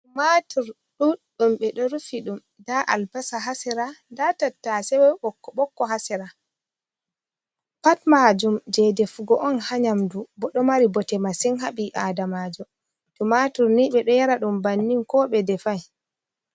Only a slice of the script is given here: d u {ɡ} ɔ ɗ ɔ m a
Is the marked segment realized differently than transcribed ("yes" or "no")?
yes